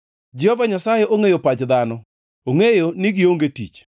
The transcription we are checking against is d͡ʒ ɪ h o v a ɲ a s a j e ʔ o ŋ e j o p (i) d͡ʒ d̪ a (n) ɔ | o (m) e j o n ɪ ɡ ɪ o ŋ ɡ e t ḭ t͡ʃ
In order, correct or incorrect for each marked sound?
incorrect: a, correct, incorrect: ŋ

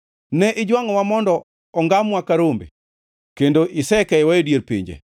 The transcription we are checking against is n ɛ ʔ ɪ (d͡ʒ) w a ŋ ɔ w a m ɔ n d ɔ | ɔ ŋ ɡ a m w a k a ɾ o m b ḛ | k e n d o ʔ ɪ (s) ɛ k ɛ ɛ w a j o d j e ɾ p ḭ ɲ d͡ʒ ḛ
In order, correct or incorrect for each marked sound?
correct, correct

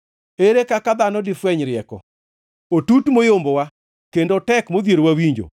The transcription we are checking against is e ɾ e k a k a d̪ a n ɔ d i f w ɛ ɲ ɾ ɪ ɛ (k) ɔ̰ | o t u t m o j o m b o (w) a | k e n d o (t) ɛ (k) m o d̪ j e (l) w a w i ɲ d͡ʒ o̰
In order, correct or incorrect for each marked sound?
correct, correct, correct, correct, incorrect: ɾ

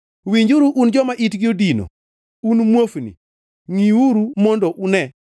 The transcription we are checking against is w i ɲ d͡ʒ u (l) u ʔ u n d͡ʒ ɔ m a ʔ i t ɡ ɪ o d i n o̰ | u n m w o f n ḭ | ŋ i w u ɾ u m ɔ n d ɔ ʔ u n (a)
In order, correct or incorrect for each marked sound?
incorrect: ɾ, incorrect: ɛ

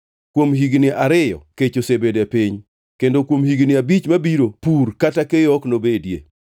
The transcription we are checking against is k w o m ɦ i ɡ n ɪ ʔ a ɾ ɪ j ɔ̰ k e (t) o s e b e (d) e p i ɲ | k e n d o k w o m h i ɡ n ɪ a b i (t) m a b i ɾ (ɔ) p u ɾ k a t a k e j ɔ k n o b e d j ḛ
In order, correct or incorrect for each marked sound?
incorrect: t͡ʃ, correct, incorrect: t͡ʃ, incorrect: o

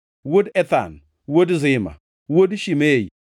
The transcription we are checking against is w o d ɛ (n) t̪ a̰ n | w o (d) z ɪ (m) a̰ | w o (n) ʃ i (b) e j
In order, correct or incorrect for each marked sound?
incorrect: none, correct, correct, incorrect: d, incorrect: m

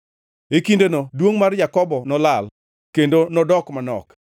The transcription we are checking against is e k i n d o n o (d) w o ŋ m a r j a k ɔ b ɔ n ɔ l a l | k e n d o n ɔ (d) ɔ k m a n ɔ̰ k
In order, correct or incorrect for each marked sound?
correct, correct

